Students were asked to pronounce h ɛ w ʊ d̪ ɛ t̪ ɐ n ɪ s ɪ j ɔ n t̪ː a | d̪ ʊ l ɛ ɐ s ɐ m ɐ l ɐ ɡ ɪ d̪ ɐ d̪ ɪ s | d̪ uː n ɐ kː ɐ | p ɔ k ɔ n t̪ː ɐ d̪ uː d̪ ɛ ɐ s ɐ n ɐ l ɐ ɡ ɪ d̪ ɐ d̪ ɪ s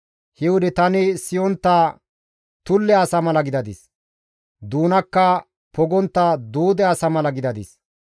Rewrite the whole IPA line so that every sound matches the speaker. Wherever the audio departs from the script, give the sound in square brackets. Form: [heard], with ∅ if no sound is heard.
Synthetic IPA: h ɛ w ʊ d̪ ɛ t̪ ɐ n ɪ s ɪ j ɔ n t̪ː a | [t̪] ʊ [lː] ɛ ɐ s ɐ m ɐ l ɐ ɡ ɪ d̪ ɐ d̪ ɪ s | d̪ uː n ɐ kː ɐ | p ɔ [ɡ] ɔ n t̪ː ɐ d̪ uː d̪ ɛ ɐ s ɐ [m] ɐ l ɐ ɡ ɪ d̪ ɐ d̪ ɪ s